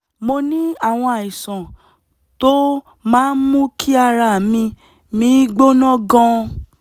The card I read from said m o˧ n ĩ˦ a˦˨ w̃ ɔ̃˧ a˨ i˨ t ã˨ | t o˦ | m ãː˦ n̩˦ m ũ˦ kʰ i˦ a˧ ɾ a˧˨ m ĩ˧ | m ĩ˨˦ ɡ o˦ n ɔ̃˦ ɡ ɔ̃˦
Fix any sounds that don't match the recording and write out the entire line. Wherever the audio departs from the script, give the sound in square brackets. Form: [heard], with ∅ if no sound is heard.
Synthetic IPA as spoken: m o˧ n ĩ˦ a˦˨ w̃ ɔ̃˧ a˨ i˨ [s] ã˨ | t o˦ | m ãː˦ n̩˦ m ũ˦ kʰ i˦ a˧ ɾ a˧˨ m ĩ˧ | m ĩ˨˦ [ɡ͡b] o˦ n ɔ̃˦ ɡ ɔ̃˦